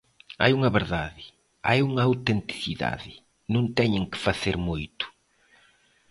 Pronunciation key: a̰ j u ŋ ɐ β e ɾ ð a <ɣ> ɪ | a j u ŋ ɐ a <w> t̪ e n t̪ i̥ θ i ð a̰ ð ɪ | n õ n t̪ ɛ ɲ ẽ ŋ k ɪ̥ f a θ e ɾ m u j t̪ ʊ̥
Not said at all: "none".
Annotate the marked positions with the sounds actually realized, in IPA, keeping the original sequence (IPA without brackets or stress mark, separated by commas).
ð, w